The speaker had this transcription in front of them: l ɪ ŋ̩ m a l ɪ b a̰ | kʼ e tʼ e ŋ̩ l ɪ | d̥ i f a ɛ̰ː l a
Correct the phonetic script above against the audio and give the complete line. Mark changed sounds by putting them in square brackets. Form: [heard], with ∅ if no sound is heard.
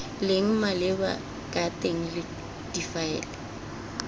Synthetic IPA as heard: l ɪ ŋ̩ m a l ɪ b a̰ | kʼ [a] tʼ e ŋ̩ l ɪ | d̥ i f a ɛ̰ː l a